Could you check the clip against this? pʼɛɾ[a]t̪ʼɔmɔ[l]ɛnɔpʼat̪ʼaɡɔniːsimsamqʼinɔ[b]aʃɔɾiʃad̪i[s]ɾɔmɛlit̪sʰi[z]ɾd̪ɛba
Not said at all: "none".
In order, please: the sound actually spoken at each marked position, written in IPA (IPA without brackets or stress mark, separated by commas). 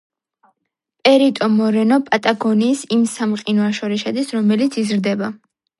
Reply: i, ɾ, none, s, z